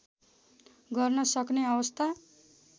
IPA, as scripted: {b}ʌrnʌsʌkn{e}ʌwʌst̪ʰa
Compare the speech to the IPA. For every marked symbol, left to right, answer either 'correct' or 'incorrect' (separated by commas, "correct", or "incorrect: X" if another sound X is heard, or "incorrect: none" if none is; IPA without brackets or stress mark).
incorrect: ɡ, correct